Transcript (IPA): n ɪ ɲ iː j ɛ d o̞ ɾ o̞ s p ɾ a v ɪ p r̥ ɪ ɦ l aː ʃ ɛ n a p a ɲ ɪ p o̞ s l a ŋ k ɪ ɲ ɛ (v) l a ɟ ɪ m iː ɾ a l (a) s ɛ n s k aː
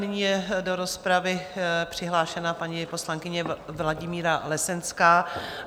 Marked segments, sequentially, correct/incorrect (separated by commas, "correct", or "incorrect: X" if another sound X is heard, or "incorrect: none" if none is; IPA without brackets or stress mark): correct, incorrect: ɛ